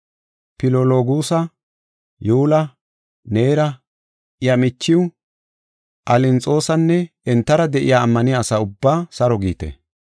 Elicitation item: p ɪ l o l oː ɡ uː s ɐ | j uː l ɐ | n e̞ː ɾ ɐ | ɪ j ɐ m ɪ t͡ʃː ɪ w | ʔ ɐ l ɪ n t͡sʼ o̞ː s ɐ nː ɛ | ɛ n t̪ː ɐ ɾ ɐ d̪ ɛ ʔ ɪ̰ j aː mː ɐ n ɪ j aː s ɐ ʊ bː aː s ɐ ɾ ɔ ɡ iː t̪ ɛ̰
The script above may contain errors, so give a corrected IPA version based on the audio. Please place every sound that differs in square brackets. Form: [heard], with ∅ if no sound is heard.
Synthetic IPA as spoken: p ɪ l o l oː ɡ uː s ɐ | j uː l ɐ | n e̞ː ɾ ɐ | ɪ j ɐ m ɪ t͡ʃː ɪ w | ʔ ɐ l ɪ n t͡sʼ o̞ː s ɐ nː ɛ | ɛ n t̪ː ɐ ɾ ɐ d̪ ɛ ʔ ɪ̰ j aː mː ɐ n ɪ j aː s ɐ ʊ bː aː s ɐ ɾ ɔ ɡ iː t̪ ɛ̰

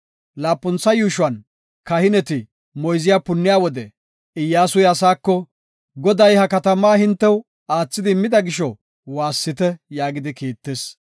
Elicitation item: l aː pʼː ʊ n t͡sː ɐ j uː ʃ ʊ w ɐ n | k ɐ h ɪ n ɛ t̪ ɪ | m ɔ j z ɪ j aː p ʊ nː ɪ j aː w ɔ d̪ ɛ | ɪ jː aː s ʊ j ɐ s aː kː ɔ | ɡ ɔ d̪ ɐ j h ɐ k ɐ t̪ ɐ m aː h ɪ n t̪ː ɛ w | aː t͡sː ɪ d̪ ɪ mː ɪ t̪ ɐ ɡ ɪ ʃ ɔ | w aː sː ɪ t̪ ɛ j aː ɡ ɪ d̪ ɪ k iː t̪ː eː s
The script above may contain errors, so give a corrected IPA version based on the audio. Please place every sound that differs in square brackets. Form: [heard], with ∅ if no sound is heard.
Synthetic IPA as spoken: l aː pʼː ʊ n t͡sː ɐ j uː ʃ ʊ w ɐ n | k ɐ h ɪ n ɛ t̪ ɪ | m ɔ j z ɪ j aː p ʊ nː ɪ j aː w ɔ d̪ ɛ | ɪ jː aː s ʊ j ɐ s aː kː ɔ | ɡ ɔ d̪ ɐ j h ɐ k ɐ t̪ ɐ m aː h ɪ n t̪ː ɛ w | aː t͡sː ɪ d̪ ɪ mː ɪ [d̪] ɐ ɡ ɪ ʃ ɔ | w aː sː ɪ t̪ ɛ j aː ɡ ɪ d̪ ɪ k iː t̪ː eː s

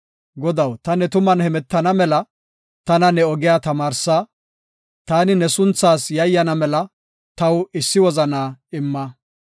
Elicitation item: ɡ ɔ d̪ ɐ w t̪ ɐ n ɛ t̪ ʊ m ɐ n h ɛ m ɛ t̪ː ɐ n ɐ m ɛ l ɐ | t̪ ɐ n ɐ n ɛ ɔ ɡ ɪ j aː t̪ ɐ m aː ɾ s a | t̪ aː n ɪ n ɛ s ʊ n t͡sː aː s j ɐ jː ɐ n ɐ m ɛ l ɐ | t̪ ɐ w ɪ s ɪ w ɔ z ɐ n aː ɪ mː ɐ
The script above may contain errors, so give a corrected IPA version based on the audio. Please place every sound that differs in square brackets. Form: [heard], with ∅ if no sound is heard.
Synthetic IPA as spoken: ɡ ɔ d̪ ɐ w t̪ ɐ n ɛ t̪ ʊ m ɐ n h ɛ m ɛ t̪ː ɐ n ɐ m ɛ l ɐ | t̪ ɐ n ɐ n ɛ ɔ ɡ ɪ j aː t̪ ɐ m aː ɾ s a | t̪ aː n ɪ n ɛ s ʊ n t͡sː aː s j ɐ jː ɐ n ɐ m ɛ l ɐ | t̪ ɐ w ɪ [sː] ɪ w ɔ z ɐ n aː ɪ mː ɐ

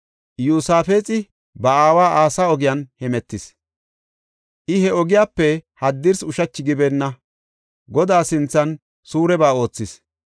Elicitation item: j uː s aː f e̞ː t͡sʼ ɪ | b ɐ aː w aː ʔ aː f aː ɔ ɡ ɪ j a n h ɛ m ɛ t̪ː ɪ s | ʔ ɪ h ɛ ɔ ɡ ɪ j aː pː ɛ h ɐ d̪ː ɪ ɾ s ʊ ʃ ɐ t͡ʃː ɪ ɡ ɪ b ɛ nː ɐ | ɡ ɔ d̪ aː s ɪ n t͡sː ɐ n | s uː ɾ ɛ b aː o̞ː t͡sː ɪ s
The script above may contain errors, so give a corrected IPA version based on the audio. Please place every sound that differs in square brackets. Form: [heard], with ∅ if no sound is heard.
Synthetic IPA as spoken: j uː s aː f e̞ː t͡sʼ ɪ | b ɐ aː w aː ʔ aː [s] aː ɔ ɡ ɪ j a n h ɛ m ɛ t̪ː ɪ s | ʔ ɪ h ɛ ɔ ɡ ɪ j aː pː ɛ h ɐ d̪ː ɪ ɾ s ʊ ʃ ɐ t͡ʃː ɪ ɡ ɪ b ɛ nː ɐ | ɡ ɔ d̪ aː s ɪ n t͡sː ɐ n | s uː ɾ ɛ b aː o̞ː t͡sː ɪ s

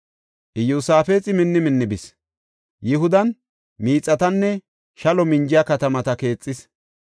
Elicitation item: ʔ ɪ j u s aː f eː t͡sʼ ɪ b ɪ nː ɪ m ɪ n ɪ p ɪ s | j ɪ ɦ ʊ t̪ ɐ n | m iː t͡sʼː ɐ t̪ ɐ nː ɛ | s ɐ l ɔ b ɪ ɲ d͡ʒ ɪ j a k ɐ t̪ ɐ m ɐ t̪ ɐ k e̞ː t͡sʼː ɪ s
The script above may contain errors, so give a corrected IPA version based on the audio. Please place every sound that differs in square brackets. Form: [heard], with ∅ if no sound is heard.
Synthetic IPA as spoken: ʔ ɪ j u s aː f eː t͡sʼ ɪ [m] ɪ nː ɪ m ɪ [nː] ɪ [b] ɪ s | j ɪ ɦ ʊ [d̪] ɐ n | m iː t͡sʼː ɐ t̪ ɐ nː ɛ | [ʃ] ɐ l ɔ [m] ɪ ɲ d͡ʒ ɪ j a k ɐ t̪ ɐ m ɐ t̪ ɐ k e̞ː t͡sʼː ɪ s

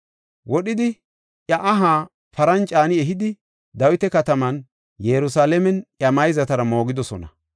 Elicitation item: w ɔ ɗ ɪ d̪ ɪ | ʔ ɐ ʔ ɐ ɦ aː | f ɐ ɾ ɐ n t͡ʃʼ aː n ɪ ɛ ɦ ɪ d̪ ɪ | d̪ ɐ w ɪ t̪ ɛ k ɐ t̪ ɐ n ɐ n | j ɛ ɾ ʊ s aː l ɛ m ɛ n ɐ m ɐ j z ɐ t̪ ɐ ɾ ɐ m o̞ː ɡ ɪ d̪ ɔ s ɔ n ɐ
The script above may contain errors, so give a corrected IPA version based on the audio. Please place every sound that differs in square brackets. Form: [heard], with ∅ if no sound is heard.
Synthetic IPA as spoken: w ɔ ɗ ɪ d̪ ɪ | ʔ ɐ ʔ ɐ ɦ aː | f ɐ ɾ ɐ n t͡ʃʼ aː n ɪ ɛ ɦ ɪ d̪ ɪ | d̪ ɐ w ɪ t̪ ɛ k ɐ t̪ ɐ [m] ɐ n | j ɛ ɾ ʊ s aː l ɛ m ɛ n ɐ m ɐ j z ɐ t̪ ɐ ɾ ɐ m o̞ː ɡ ɪ d̪ ɔ s ɔ n ɐ

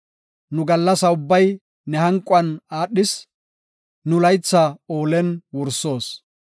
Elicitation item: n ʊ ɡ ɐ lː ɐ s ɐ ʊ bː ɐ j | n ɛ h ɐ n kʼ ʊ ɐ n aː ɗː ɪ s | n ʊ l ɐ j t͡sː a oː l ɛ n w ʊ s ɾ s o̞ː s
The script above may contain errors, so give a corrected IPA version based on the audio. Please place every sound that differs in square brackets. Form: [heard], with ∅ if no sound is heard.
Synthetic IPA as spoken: n ʊ ɡ ɐ lː ɐ s ɐ ʊ bː ɐ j | n ɛ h ɐ [ŋ] kʼ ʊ ɐ n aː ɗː ɪ s | n ʊ l ɐ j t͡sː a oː l ɛ n w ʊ [∅] ɾ s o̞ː s

